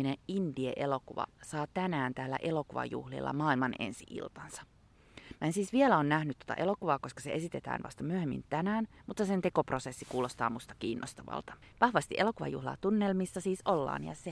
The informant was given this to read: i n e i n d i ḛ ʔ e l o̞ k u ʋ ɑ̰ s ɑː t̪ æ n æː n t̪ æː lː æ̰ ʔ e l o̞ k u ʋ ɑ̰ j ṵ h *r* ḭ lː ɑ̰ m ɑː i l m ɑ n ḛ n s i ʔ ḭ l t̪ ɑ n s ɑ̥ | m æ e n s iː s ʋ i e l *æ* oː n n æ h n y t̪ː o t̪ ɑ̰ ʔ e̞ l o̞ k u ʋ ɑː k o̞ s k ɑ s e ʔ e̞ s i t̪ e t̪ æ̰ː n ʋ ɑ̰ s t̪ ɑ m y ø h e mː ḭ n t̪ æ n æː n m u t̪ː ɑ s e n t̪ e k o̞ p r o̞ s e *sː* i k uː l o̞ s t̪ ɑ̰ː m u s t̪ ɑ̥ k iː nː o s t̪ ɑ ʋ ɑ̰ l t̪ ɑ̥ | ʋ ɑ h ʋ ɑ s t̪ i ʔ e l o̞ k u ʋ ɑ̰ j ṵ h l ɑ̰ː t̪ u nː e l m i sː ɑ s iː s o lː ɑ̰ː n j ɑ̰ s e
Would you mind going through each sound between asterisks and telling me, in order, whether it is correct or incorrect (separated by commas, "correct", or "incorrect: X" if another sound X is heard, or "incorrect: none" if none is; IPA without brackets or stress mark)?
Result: incorrect: l, correct, correct